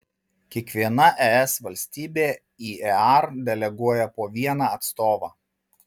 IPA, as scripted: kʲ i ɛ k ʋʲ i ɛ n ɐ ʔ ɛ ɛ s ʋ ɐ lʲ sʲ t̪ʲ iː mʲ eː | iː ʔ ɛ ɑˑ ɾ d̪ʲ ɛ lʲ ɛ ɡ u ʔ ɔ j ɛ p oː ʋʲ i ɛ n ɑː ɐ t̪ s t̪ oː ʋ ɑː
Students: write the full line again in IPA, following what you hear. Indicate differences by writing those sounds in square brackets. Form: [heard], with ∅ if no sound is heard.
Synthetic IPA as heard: kʲ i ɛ k ʋʲ i ɛ n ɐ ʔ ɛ ɛ s ʋ ɐ lʲ sʲ t̪ʲ iː [bʲ] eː | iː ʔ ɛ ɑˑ ɾ d̪ʲ ɛ lʲ ɛ ɡ u [∅] ɔ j ɛ p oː ʋʲ i ɛ n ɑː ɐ t̪ s t̪ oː ʋ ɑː